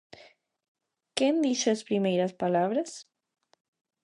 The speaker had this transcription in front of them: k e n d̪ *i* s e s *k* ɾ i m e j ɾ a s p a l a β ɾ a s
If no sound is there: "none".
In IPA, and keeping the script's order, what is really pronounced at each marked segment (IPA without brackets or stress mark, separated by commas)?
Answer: i, p